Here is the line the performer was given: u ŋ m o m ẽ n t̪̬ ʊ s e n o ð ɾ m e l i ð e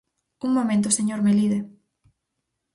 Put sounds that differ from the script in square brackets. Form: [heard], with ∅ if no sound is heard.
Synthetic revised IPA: u ŋ m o m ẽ n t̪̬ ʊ s e [ɲ] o [∅] ɾ m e l i ð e